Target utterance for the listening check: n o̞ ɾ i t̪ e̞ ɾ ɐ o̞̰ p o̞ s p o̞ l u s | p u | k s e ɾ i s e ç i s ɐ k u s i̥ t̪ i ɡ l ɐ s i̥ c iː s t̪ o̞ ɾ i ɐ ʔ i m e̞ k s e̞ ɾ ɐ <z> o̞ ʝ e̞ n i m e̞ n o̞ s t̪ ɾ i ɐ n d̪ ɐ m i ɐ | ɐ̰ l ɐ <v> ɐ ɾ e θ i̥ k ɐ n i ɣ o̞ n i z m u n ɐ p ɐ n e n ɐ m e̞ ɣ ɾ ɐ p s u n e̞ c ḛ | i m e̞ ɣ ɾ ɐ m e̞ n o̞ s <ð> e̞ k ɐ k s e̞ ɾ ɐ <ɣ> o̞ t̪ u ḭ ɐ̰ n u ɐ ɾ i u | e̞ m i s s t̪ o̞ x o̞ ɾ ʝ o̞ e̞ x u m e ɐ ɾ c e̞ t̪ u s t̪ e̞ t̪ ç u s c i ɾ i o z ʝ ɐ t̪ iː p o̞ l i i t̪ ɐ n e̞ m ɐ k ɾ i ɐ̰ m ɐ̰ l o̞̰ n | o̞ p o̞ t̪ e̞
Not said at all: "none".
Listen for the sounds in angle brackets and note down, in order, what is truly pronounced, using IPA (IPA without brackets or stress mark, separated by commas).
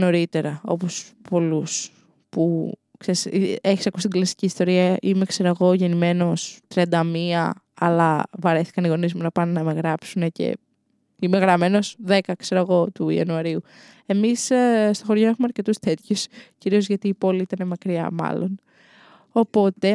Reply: ɣ, v, ð, ɣ